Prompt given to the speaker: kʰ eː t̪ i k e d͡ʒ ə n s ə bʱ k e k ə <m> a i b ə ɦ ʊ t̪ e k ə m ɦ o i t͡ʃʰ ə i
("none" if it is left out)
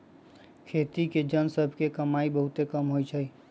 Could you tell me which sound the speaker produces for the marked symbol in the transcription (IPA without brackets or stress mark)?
m